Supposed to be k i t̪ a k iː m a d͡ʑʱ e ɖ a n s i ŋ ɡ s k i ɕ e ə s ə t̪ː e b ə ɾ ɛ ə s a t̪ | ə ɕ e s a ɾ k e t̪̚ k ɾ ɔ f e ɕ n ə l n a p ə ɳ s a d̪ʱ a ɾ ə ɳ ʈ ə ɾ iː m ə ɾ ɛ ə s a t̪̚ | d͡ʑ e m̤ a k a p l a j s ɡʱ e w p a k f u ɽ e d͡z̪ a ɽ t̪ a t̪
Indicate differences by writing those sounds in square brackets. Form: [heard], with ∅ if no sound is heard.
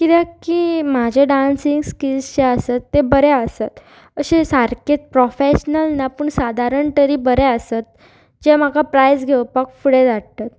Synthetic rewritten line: k i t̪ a k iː m a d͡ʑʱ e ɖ a n s i ŋ ɡ s k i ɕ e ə s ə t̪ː e b ə ɾ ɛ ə s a t̪ | ə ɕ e s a ɾ k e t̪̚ [p] ɾ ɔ f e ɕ n ə l n a p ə ɳ s a d̪ʱ a ɾ ə ɳ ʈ ə ɾ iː [b] ə ɾ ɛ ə s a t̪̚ | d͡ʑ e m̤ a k a p [ɾ] a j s ɡʱ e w p a k f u ɽ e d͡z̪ a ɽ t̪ a t̪